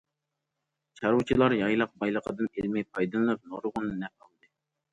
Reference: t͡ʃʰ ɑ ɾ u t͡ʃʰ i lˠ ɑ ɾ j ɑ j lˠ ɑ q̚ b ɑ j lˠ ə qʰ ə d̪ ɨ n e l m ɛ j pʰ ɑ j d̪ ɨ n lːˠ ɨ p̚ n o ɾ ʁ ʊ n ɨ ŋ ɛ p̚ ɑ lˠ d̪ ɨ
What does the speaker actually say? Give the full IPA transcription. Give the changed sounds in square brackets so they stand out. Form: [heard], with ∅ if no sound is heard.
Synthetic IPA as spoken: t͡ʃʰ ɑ ɾ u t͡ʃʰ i lˠ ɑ ɾ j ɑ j lˠ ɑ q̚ b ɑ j lˠ ə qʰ ə d̪ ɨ n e l m ɛ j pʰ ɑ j d̪ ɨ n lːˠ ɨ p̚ n o ɾ ʁ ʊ n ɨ [n] ɛ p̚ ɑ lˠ d̪ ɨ